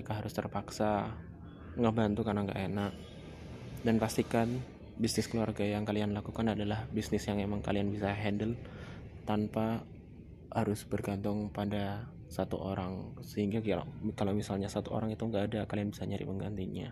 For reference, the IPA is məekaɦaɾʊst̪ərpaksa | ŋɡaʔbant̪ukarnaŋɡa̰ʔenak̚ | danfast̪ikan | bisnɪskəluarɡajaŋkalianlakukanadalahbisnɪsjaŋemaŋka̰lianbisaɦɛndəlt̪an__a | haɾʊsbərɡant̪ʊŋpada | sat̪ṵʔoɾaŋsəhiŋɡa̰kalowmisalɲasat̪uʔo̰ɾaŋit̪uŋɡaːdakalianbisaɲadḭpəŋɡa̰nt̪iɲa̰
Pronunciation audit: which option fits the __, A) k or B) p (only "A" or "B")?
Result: B